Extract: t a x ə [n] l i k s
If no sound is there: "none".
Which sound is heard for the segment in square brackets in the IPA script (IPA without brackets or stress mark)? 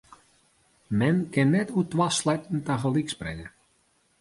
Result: none